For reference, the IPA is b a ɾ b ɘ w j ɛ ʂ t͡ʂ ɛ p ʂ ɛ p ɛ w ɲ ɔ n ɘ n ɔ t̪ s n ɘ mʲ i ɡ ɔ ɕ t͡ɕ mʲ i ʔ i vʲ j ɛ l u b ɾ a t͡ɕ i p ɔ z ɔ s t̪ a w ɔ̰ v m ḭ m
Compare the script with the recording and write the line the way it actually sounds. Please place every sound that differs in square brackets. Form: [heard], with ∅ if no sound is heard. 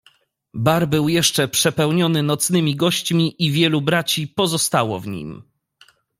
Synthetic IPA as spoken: b a ɾ b ɘ w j ɛ ʂ t͡ʂ ɛ p ʂ ɛ p ɛ w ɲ ɔ n ɘ n ɔ t̪ s n ɘ mʲ i ɡ ɔ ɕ t͡ɕ mʲ i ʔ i vʲ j ɛ l u b ɾ a t͡ɕ i p ɔ z ɔ s t̪ a w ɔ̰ v [ɲ] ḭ m

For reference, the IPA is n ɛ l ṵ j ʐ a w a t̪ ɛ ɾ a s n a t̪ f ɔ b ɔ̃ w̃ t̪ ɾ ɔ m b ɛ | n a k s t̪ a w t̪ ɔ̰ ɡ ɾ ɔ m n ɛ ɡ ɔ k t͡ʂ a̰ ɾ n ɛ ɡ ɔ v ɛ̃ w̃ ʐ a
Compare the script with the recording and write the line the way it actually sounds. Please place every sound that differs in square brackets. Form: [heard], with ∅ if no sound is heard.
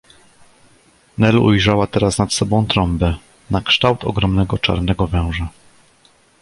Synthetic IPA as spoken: n ɛ l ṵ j ʐ a w a t̪ ɛ ɾ a s n a t̪ [s] ɔ b ɔ̃ w̃ t̪ ɾ ɔ m b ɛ | n a k [ʂ] t̪ a w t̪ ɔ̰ ɡ ɾ ɔ m n ɛ ɡ ɔ [∅] t͡ʂ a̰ ɾ n ɛ ɡ ɔ v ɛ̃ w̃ ʐ a

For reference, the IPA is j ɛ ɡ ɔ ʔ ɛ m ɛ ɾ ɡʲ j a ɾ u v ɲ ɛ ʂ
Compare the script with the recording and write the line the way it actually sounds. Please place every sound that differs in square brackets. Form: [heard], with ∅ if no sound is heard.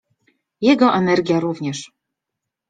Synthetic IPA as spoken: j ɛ ɡ ɔ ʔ ɛ [n] ɛ ɾ ɡʲ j a ɾ u v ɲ ɛ ʂ

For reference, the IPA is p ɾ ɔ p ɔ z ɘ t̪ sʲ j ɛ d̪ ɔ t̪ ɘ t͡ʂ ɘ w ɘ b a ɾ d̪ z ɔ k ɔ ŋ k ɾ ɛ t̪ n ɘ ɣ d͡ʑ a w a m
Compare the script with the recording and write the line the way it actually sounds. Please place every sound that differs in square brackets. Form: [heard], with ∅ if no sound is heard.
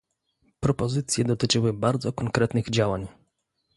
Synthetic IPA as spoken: p ɾ ɔ p ɔ z ɘ t̪ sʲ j ɛ d̪ ɔ t̪ ɘ t͡ʂ ɘ w ɘ b a ɾ d̪ z ɔ k ɔ ŋ k ɾ ɛ t̪ n ɘ ɣ d͡ʑ a w a [ɲ]

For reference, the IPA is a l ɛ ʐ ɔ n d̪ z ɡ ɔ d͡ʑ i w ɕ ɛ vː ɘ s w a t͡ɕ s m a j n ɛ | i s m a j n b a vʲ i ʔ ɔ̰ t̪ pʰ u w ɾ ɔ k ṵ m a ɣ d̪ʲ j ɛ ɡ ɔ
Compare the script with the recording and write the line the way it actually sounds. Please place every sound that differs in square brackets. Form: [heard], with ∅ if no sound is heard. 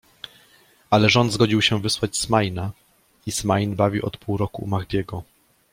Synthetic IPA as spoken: a l ɛ ʐ ɔ n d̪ z ɡ ɔ d͡ʑ i w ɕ ɛ [v] ɘ s w a t͡ɕ s m a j n [a] | i s m a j n b a vʲ i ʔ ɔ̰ t̪ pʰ u w ɾ ɔ k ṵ m a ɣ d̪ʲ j ɛ ɡ ɔ

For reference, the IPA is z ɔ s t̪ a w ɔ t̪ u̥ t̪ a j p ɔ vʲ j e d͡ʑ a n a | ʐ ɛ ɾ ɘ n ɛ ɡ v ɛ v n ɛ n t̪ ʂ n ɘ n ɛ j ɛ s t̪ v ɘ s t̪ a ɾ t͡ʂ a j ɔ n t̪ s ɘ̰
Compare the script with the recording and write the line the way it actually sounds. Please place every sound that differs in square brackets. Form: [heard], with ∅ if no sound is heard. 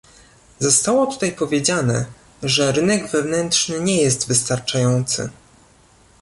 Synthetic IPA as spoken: z ɔ s t̪ a w ɔ t̪ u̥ t̪ a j p ɔ vʲ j e d͡ʑ a n [ɛ] | ʐ ɛ ɾ ɘ n ɛ ɡ v ɛ v n ɛ n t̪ ʂ n ɘ [ɲ] ɛ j ɛ s t̪ v ɘ s t̪ a ɾ t͡ʂ a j ɔ n t̪ s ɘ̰

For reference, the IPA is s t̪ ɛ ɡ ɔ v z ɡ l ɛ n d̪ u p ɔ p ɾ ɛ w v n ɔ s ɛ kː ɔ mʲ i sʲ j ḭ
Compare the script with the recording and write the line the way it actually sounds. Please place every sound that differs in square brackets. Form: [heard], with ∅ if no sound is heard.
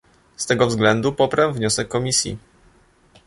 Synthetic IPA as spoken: s t̪ ɛ ɡ ɔ v z ɡ l ɛ n d̪ u p ɔ p ɾ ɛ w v [ɲ] ɔ s ɛ kː ɔ mʲ i sʲ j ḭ

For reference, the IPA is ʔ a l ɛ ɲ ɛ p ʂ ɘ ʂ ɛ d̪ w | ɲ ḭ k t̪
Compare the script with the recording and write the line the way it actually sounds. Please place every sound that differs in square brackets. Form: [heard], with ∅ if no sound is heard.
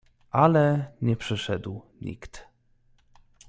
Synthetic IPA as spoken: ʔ a l ɛ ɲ ɛ p ʂ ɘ ʂ ɛ d̪ w | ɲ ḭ k t̪

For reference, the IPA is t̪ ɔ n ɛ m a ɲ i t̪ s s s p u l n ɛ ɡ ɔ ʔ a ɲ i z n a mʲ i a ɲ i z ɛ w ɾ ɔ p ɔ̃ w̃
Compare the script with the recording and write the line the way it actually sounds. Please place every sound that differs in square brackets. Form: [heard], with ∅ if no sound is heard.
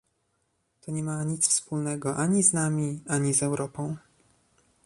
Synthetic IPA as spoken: t̪ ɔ [ɲ] ɛ m a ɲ i t̪ s [f] s p u l n ɛ ɡ ɔ ʔ a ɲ i z n a mʲ i a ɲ i z ɛ w ɾ ɔ p ɔ̃ w̃

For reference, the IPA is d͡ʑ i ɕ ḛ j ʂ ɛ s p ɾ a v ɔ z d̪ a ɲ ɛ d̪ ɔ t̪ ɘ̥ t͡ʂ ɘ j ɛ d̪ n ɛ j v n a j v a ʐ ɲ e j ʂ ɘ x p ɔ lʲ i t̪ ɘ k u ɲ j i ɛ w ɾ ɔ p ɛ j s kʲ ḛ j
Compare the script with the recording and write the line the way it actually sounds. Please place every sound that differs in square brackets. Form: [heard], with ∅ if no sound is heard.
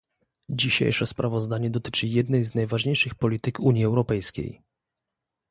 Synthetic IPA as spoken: d͡ʑ i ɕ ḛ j ʂ ɛ s p ɾ a v ɔ z d̪ a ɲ ɛ d̪ ɔ t̪ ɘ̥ t͡ʂ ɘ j ɛ d̪ n ɛ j [z] n a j v a ʐ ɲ e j ʂ ɘ x p ɔ lʲ i t̪ ɘ k u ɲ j i ɛ w ɾ ɔ p ɛ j s kʲ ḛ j

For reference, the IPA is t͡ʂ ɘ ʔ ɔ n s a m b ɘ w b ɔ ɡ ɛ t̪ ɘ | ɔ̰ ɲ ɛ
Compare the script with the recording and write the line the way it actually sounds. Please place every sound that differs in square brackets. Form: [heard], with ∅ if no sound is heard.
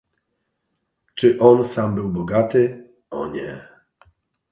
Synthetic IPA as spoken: t͡ʂ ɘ ʔ ɔ n s a m b ɘ w b ɔ ɡ [a] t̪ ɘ | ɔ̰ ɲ ɛ

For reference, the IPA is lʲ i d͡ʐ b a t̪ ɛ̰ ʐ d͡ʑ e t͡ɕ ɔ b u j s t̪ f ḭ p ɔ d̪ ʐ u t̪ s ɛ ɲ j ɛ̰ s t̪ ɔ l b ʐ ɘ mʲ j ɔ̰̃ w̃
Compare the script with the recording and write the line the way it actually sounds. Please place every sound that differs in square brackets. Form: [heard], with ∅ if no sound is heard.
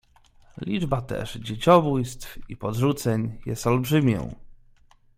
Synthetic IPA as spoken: lʲ i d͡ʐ b a t̪ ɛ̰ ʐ d͡ʑ e t͡ɕ ɔ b u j s t̪ f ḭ p ɔ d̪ ʐ u t̪ s ɛ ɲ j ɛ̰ s t̪ ɔ l b ʐ ɘ mʲ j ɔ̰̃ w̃

